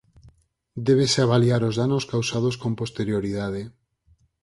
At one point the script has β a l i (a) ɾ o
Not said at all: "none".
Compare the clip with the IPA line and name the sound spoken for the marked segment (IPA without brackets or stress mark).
a